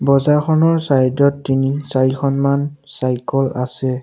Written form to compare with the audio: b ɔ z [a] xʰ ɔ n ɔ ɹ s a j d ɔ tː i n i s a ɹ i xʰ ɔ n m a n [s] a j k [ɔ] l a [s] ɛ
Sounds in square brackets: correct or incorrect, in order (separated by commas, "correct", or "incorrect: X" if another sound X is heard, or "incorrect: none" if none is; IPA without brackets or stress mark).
correct, correct, correct, correct